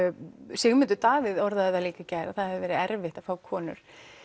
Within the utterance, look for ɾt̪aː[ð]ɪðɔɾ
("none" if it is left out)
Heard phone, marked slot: v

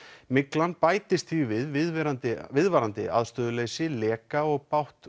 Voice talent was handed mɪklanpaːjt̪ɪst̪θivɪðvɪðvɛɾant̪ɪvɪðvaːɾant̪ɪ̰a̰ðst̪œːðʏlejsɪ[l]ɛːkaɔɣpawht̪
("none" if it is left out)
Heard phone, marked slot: l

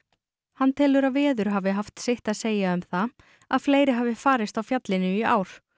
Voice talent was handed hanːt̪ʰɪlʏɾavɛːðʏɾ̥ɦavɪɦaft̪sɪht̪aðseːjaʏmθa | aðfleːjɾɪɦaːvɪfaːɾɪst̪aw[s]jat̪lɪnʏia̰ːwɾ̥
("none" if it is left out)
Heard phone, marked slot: f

